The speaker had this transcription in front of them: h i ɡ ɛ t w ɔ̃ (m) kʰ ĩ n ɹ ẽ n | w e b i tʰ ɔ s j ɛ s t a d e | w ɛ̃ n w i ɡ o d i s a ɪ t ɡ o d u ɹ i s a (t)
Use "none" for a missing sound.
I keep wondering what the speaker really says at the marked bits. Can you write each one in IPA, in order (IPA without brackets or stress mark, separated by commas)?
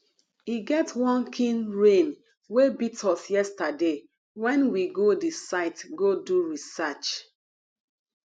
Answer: n, t͡ʃ